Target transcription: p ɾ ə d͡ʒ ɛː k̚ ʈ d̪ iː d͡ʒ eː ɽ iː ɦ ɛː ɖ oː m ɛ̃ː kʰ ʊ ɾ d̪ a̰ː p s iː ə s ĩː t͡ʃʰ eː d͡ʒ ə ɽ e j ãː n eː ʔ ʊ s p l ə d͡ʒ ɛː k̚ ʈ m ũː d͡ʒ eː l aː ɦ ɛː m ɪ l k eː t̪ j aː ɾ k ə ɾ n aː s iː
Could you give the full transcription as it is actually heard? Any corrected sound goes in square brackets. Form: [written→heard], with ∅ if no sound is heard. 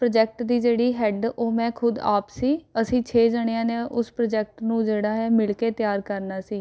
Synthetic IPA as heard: p ɾ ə d͡ʒ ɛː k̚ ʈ d̪ iː d͡ʒ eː ɽ iː ɦ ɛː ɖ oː m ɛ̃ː kʰ ʊ [ɾ→∅] d̪ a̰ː p s iː ə s ĩː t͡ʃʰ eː d͡ʒ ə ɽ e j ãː n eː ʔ ʊ s p [l→ɾ] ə d͡ʒ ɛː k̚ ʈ [m→n] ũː d͡ʒ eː [l→ɽ] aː ɦ ɛː m ɪ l k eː t̪ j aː ɾ k ə ɾ n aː s iː